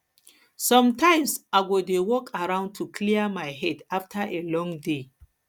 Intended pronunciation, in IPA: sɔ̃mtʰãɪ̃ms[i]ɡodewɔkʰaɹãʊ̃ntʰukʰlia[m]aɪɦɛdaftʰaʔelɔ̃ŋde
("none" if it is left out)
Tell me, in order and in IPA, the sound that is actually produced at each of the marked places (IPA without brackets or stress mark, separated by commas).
a, m